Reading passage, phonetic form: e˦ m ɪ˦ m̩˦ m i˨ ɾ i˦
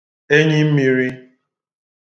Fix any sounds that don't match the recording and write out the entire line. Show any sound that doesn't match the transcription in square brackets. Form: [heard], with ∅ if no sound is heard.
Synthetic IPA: e˦ [ɲ] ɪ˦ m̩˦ m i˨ ɾ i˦